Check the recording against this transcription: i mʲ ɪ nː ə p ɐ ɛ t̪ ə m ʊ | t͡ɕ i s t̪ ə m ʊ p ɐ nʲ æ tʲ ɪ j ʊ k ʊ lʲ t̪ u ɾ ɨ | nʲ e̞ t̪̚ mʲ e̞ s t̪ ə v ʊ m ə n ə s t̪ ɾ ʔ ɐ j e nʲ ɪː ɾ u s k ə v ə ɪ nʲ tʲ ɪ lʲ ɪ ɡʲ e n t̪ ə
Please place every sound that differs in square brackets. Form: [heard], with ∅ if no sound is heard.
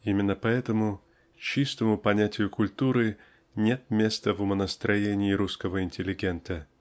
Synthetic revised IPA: i mʲ ɪ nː ə p ɐ ɛ t̪ ə m ʊ | t͡ɕ i s t̪ ə m ʊ p ɐ nʲ æ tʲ ɪ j ʊ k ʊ lʲ t̪ u ɾ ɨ | nʲ e̞ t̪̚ mʲ e̞ s t̪ ə v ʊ m ə n ə s t̪ ɾ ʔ ɐ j e nʲ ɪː ɾ u s k ə v ə ɪ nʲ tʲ ɪ lʲ ɪ ɡʲ e n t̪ ə